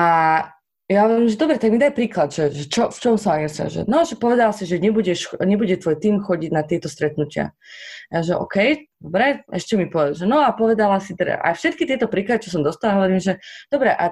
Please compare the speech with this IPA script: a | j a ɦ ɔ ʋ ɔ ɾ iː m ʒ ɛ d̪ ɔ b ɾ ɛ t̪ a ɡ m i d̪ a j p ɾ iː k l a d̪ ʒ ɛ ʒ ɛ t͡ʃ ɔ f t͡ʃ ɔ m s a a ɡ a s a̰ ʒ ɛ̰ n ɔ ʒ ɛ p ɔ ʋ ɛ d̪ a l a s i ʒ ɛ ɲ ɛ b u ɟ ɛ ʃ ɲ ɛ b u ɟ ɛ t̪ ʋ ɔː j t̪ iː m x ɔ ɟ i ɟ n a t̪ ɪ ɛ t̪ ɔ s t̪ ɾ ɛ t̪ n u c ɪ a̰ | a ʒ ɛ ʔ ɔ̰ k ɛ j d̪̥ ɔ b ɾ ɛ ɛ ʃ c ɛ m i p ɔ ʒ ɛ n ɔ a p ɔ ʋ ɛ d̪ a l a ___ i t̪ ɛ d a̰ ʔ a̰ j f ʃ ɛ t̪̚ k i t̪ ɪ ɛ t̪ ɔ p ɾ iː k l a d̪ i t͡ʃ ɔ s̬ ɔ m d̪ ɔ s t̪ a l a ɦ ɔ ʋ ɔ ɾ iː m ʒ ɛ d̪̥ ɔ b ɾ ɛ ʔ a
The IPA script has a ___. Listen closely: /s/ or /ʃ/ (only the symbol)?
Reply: s